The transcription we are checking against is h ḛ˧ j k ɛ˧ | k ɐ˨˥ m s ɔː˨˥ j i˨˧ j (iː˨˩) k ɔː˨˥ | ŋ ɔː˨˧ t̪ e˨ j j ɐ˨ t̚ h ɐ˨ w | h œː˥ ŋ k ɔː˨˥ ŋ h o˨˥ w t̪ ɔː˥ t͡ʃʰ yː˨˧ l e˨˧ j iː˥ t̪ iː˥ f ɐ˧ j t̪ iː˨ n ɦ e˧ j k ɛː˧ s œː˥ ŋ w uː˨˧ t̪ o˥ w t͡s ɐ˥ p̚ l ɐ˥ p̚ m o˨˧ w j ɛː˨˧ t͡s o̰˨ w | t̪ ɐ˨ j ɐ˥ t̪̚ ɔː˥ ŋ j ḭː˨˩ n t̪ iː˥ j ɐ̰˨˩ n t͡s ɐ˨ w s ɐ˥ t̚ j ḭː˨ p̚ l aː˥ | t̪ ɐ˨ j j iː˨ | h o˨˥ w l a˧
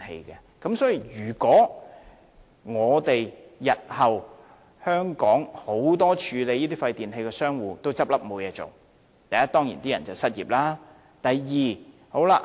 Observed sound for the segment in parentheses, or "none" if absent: yː˨˩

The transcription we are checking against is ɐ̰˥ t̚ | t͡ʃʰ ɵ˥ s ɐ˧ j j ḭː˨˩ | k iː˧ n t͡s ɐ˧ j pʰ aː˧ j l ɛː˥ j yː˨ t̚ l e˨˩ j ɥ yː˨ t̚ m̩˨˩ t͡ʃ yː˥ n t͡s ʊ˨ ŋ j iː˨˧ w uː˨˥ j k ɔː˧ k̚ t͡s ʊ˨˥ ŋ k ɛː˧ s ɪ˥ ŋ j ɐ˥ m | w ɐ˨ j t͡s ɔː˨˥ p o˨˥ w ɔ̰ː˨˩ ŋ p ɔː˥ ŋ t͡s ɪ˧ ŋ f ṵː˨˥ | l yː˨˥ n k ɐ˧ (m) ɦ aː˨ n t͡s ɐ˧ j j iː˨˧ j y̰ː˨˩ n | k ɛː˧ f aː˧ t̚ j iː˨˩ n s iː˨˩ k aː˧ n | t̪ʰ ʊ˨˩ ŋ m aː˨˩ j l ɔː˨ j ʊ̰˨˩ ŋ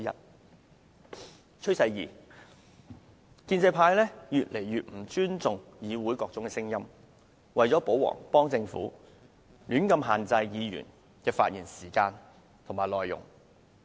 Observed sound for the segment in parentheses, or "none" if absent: m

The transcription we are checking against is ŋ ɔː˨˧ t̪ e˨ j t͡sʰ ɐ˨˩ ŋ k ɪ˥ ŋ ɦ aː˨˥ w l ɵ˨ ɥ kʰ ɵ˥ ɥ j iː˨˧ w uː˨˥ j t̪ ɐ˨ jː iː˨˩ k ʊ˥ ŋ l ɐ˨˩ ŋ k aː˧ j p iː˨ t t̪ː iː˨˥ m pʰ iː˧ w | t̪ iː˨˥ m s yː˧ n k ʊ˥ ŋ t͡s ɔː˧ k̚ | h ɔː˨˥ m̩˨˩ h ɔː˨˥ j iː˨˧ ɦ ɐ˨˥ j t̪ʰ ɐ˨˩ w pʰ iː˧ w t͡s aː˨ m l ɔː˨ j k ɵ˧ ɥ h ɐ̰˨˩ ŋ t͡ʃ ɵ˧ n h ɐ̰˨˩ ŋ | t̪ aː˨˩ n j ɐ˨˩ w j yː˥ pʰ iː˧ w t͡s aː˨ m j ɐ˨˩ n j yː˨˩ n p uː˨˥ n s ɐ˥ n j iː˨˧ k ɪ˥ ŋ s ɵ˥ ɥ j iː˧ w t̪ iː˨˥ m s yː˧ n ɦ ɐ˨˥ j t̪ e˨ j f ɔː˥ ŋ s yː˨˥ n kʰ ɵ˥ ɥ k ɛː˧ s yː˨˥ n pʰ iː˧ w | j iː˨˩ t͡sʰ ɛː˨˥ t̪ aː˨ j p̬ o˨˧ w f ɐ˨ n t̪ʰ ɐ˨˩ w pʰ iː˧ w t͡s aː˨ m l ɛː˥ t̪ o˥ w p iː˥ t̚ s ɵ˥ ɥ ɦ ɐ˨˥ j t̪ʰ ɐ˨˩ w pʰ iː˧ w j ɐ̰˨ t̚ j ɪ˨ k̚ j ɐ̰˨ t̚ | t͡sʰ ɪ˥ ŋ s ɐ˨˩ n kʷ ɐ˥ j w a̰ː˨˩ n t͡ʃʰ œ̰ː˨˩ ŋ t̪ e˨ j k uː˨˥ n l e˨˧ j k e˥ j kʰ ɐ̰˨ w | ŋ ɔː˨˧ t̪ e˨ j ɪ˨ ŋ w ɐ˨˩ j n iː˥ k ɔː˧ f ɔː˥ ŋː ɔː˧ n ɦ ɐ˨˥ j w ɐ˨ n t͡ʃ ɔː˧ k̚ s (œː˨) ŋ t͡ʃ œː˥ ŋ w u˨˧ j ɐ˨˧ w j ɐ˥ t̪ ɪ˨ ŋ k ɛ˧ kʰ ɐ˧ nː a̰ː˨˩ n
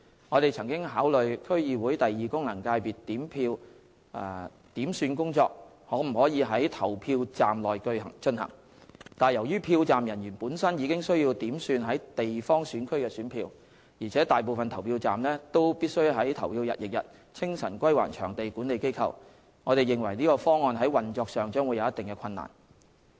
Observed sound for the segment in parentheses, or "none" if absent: œː˨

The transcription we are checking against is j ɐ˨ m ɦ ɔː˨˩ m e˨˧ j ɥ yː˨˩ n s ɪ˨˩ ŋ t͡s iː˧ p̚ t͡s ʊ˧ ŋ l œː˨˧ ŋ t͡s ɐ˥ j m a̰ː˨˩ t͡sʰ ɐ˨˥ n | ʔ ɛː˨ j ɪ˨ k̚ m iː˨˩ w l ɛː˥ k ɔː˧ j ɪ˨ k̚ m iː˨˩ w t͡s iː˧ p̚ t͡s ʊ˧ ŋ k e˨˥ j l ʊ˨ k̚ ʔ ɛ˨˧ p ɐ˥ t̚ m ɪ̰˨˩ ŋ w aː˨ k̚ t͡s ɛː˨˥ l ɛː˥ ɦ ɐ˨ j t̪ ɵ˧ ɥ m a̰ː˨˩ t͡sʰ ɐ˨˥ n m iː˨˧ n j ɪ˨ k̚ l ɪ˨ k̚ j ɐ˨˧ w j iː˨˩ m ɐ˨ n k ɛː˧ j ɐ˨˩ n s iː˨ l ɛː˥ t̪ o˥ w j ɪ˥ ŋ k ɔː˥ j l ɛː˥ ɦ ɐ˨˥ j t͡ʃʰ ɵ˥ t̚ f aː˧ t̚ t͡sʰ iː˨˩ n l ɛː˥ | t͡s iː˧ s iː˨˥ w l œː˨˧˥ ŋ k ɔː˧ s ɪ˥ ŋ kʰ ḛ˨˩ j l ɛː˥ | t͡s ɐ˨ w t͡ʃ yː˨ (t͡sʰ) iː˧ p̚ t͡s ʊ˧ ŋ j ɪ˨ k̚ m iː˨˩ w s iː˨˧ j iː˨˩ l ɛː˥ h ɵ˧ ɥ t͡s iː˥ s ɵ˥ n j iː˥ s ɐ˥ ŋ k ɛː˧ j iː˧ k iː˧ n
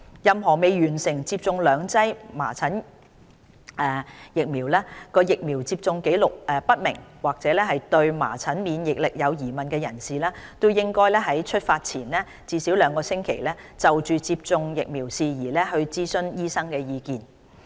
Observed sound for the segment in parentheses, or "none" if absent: t͡s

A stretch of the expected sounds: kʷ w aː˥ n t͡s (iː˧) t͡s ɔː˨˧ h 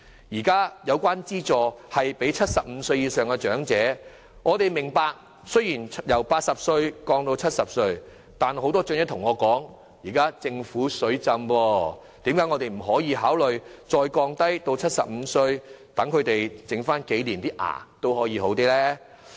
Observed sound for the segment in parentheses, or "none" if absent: iː˥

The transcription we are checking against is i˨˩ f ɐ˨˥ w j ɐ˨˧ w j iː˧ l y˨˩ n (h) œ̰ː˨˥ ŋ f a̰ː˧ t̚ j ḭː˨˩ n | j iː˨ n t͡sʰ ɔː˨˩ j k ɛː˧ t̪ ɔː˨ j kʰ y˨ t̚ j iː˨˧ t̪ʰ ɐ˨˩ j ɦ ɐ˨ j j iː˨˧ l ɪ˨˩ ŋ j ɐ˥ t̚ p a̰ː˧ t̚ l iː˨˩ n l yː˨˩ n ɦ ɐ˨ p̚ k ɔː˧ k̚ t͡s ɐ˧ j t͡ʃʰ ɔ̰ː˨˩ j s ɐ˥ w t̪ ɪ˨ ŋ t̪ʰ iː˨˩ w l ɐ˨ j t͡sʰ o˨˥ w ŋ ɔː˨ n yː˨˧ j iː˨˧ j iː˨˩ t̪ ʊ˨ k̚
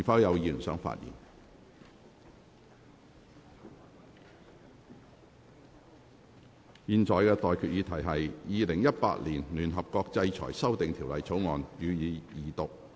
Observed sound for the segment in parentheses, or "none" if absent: s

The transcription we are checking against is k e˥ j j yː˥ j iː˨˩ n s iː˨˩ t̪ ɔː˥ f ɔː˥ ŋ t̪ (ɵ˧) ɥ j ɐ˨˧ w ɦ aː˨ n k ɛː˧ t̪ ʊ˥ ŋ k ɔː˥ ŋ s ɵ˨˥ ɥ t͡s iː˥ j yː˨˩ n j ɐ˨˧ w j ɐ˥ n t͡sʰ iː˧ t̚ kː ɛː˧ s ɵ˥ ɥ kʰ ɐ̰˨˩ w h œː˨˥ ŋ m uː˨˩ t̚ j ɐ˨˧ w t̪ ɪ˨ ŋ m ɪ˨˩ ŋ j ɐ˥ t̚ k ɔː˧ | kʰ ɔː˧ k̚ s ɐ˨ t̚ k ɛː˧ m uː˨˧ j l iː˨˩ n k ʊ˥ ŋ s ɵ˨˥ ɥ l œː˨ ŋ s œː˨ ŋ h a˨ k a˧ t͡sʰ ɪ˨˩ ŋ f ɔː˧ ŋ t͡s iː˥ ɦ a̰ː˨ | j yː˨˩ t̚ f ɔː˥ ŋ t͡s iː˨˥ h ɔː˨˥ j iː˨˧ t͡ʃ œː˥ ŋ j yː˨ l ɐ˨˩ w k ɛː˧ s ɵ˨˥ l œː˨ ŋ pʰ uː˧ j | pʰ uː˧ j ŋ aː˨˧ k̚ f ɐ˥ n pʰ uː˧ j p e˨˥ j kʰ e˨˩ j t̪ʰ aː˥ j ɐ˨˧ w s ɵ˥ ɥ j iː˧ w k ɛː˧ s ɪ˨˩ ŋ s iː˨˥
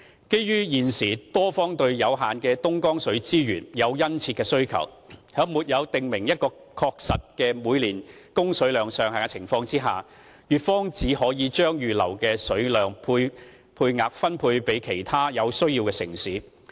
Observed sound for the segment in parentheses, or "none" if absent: ɵ˧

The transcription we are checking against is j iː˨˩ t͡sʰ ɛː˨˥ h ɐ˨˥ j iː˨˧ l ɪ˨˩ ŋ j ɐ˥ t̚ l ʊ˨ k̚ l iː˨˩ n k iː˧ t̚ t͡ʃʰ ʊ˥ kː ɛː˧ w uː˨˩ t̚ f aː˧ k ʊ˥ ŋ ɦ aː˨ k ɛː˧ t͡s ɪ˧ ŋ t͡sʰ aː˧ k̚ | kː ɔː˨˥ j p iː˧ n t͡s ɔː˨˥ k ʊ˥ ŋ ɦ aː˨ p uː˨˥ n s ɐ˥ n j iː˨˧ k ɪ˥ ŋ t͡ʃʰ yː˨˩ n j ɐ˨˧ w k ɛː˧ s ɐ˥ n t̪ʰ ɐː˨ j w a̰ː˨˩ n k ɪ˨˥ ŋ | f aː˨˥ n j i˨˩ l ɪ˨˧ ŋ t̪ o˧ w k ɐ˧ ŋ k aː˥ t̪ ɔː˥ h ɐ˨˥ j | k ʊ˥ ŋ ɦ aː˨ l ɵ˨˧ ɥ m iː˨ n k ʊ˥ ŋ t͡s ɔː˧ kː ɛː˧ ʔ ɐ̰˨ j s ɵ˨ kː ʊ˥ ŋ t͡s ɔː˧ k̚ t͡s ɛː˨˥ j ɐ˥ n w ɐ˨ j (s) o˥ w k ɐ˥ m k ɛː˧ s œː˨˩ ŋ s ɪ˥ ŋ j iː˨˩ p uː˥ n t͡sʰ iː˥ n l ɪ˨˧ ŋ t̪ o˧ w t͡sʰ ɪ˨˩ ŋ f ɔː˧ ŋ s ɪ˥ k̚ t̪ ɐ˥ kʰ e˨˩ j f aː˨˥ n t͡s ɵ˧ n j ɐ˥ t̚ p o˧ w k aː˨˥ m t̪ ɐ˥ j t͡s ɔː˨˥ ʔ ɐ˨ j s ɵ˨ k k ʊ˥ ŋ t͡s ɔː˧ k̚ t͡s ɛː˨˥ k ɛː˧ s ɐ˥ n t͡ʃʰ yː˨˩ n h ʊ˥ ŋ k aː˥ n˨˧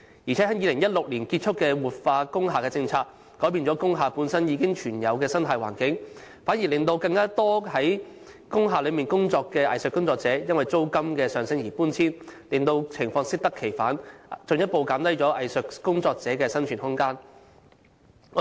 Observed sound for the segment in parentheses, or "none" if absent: t͡s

